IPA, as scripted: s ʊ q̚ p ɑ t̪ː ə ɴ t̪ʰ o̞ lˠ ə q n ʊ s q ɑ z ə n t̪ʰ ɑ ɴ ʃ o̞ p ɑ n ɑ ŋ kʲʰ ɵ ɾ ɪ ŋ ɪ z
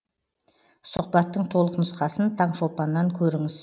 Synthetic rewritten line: s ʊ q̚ p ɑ t̪ː ə ɴ t̪ʰ o̞ lˠ ə q n ʊ s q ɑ s ə n t̪ʰ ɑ ɴ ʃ o̞ p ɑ nː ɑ ŋ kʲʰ ɵ ɾ ɪ ŋ ɪ z